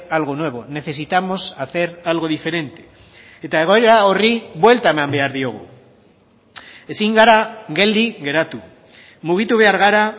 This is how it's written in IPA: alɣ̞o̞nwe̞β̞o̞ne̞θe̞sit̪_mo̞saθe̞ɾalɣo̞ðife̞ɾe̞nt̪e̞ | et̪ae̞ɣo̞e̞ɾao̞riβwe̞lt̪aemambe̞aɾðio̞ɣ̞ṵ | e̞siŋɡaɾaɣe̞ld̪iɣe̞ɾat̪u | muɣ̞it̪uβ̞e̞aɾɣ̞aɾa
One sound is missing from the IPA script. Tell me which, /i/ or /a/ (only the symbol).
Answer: a